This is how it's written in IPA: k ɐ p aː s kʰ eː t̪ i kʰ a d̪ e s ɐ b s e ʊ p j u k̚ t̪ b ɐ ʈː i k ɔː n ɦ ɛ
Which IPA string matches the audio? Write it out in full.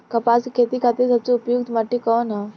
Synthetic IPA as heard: k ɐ p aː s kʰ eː t̪ i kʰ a t̪ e s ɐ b s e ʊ p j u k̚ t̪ m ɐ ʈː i k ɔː n ɦ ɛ